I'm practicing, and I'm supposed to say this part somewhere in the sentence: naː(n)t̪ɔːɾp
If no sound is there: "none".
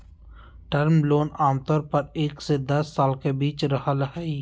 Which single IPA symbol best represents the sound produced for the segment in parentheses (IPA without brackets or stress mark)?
m